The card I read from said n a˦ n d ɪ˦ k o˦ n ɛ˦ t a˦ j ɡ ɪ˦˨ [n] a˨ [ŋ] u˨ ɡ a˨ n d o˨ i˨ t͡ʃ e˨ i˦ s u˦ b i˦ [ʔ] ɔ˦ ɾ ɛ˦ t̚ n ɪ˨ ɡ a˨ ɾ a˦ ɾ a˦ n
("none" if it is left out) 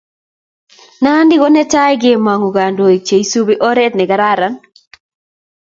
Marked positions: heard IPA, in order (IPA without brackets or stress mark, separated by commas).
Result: m, ŋ, ʔ